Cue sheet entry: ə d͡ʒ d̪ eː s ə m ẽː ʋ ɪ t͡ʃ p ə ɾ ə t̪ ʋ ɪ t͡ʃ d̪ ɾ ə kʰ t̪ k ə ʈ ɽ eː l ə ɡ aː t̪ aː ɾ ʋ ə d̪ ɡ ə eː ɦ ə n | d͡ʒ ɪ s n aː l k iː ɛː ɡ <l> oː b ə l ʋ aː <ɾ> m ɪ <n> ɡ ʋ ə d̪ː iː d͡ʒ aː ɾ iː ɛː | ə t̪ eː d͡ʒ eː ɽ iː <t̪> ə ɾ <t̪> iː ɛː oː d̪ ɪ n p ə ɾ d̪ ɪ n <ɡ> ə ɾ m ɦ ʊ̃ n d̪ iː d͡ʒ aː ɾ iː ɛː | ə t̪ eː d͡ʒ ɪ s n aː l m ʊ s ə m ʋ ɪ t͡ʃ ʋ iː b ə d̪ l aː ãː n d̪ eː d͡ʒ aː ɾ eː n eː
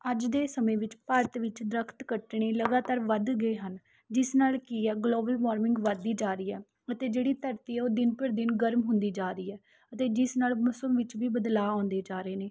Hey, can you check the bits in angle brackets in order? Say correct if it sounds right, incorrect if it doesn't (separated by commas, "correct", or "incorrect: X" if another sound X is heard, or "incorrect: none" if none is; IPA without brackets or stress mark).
correct, correct, incorrect: ŋ, correct, correct, correct